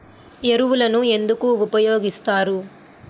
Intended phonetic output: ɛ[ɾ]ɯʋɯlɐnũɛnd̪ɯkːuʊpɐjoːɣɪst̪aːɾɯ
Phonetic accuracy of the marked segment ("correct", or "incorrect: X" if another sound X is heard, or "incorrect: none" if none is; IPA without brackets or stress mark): correct